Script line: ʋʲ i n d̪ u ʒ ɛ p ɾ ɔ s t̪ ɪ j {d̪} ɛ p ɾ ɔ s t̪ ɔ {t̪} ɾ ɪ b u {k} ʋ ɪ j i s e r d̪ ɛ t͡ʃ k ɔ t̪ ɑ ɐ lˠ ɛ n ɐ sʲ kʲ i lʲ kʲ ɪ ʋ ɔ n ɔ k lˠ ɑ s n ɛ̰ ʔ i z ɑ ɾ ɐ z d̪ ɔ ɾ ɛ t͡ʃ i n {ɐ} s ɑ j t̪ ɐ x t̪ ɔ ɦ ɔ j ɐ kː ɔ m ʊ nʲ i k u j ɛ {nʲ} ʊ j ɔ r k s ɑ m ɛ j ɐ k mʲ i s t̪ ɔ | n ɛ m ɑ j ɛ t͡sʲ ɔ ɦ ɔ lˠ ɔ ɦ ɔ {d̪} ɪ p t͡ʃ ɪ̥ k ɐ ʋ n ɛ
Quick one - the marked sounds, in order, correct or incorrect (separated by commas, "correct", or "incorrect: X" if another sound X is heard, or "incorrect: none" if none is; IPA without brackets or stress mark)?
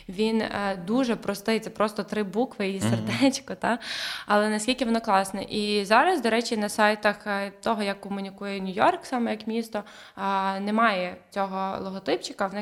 incorrect: t̪, correct, correct, correct, correct, incorrect: t̪